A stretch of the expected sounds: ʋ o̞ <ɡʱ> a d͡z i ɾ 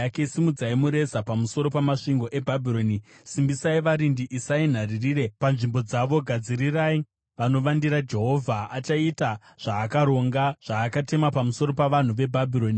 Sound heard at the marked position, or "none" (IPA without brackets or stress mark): ɡʱ